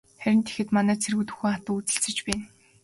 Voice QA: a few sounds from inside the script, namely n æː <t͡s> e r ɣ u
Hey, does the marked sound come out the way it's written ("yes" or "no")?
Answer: no